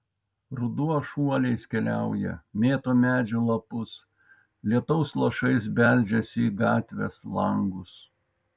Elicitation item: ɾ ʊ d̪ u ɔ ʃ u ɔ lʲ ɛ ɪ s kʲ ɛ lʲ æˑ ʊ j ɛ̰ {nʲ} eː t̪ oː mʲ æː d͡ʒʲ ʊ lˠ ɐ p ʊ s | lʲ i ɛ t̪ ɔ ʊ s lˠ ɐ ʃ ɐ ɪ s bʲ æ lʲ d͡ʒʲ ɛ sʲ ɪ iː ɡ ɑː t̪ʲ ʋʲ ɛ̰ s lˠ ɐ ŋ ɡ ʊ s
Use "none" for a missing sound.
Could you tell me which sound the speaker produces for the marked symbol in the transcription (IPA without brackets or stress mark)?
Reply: mʲ